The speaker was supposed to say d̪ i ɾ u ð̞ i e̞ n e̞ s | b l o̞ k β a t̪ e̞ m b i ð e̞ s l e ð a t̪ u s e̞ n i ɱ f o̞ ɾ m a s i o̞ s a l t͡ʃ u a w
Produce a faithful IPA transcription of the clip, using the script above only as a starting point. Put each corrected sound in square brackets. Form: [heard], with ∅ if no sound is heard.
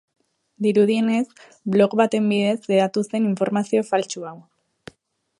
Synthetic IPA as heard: d̪ i ɾ u ð̞ i e̞ n e̞ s | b l o̞ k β a t̪ e̞ m b i ð e̞ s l e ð a t̪ u s e̞ n i ɱ f o̞ ɾ m a s i o̞ [f] a l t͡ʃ u a w

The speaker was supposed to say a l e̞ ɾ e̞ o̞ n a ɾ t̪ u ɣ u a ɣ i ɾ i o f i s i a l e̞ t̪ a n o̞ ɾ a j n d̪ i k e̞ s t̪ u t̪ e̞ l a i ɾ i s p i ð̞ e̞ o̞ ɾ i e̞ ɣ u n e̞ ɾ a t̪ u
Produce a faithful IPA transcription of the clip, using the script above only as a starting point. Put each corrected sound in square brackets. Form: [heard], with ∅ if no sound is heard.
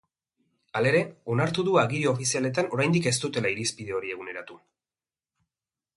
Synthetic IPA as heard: a l e̞ ɾ e̞ o̞ n a ɾ t̪ u [ð] u a ɣ i ɾ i o f i s i a l e̞ t̪ a n o̞ ɾ a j n d̪ i k e̞ s t̪ u t̪ e̞ l a i ɾ i s p i ð̞ e̞ o̞ ɾ i e̞ ɣ u n e̞ ɾ a t̪ u

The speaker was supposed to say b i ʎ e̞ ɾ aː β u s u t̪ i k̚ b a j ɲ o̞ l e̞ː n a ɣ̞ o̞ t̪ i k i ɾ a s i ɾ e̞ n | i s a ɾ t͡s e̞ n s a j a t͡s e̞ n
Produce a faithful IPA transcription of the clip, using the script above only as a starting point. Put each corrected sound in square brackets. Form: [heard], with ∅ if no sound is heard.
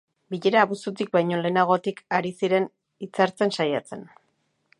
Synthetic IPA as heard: b i ʎ e̞ ɾ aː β u s u t̪ i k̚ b a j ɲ o̞ l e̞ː n a ɣ̞ o̞ t̪ i k [a] ɾ [i] s i ɾ e̞ n | i [t͡s] a ɾ t͡s e̞ n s a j a t͡s e̞ n

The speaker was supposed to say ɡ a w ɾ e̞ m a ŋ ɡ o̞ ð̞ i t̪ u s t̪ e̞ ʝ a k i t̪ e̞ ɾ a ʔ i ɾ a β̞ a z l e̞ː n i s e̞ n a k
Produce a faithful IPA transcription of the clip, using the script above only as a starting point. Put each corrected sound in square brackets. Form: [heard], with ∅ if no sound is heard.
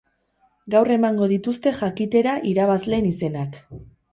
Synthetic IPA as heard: ɡ a w [r] e̞ m a ŋ ɡ o̞ ð̞ i t̪ u s t̪ e̞ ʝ a k i t̪ e̞ ɾ a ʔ i ɾ a β̞ a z l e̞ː n i s e̞ n a k

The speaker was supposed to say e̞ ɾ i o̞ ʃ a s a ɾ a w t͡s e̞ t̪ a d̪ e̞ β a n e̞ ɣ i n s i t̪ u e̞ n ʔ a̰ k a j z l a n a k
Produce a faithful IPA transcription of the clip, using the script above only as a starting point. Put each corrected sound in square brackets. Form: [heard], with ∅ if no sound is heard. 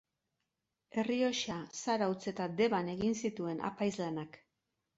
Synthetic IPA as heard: e̞ [r] i o̞ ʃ a s a ɾ a w t͡s e̞ t̪ a d̪ e̞ β a n e̞ ɣ i n s i t̪ u e̞ n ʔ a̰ [p] a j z l a n a k

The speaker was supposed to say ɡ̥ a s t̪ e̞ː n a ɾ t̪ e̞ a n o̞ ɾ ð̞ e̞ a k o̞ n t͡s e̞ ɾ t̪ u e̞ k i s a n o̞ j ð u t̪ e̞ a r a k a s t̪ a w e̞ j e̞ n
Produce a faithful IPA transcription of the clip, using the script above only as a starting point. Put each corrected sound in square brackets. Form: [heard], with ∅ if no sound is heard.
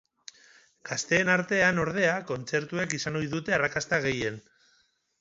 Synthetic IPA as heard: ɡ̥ a s t̪ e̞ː n a ɾ t̪ e̞ a n o̞ ɾ ð̞ e̞ a k o̞ n t͡s e̞ ɾ t̪ u e̞ k i s a n o̞ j ð u t̪ e̞ a r a k a s t̪ a [ɣ] e̞ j e̞ n

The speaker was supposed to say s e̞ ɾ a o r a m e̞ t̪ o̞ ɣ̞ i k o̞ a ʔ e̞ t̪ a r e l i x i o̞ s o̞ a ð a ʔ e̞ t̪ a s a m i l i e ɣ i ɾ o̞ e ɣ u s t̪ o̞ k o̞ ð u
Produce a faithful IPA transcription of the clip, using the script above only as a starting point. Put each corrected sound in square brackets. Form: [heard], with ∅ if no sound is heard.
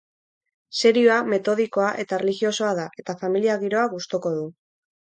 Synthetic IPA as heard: s e̞ ɾ [i] o [∅] a m e̞ t̪ o̞ [ð̞] i k o̞ a ʔ e̞ t̪ a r e l i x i o̞ s o̞ a ð a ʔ e̞ t̪ a [f] a m i l i [a] ɣ i ɾ o̞ [a] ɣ u s t̪ o̞ k o̞ ð u

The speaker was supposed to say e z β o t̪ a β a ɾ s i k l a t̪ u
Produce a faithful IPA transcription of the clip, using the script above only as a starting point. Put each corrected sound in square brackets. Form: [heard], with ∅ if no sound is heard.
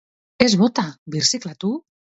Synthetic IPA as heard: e z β o t̪ a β [i] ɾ s i k l a t̪ u

